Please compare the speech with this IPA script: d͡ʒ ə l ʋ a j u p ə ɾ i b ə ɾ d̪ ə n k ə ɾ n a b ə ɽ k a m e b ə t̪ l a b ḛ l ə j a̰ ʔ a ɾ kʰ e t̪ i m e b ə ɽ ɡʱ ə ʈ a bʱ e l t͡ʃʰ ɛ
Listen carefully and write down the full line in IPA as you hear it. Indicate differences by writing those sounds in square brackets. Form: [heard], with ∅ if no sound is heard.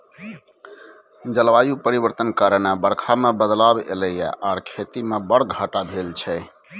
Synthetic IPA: d͡ʒ ə l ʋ a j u p ə ɾ i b ə ɾ [t̪] ə n k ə ɾ n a b ə ɽ [kʰ] a m e b ə [d̪] l a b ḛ l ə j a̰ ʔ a ɾ kʰ e t̪ i m e b ə ɽ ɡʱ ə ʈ a bʱ e l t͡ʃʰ ɛ